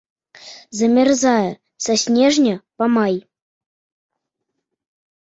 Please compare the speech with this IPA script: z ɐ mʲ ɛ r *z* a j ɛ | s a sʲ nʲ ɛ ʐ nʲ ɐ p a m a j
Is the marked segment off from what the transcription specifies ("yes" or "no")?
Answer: no